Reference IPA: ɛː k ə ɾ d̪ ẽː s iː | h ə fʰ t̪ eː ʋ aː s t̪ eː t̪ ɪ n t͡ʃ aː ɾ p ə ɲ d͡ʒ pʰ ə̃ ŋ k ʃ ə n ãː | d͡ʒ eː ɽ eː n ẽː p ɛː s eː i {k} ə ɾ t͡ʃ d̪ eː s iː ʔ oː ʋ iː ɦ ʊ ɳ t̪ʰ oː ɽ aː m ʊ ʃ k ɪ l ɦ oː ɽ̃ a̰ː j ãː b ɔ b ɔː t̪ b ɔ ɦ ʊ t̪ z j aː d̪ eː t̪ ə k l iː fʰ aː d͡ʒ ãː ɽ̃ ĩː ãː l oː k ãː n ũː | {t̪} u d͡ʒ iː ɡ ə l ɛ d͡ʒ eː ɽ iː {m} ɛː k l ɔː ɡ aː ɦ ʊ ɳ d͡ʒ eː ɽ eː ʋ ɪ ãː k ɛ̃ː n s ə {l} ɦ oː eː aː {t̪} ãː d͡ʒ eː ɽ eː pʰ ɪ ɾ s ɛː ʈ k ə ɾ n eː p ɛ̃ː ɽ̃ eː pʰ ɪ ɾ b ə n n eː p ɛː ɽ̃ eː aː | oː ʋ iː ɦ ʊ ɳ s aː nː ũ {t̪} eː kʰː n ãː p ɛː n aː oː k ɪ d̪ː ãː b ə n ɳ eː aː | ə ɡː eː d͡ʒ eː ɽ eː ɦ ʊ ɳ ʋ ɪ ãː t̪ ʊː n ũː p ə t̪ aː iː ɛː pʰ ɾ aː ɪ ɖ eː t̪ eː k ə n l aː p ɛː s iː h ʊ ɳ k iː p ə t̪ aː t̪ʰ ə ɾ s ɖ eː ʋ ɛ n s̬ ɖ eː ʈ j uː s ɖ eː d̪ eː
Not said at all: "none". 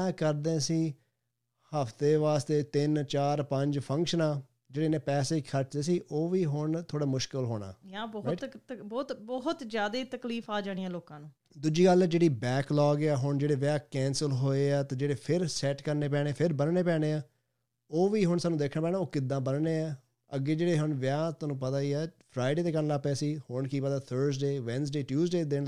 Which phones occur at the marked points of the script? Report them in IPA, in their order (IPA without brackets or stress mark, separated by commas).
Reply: kʰ, d̪, b, l, t̪, d̪